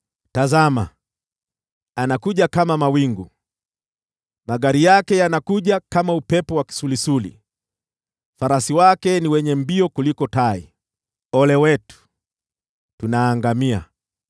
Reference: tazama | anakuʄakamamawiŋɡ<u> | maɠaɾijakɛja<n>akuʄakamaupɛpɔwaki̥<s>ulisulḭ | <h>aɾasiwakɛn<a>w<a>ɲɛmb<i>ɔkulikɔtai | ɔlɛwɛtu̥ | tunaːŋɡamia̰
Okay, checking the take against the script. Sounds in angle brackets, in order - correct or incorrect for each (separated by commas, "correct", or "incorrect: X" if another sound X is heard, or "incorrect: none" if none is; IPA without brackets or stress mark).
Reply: correct, correct, correct, incorrect: f, incorrect: i, incorrect: ɛ, correct